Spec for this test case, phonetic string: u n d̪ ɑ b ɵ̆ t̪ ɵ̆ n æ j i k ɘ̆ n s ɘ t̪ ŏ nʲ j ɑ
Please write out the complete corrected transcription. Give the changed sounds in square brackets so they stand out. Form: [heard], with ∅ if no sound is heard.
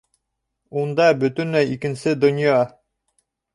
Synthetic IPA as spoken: u n d̪ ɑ b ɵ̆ t̪ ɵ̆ n æ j i k ɘ̆ n s ɘ [d̪] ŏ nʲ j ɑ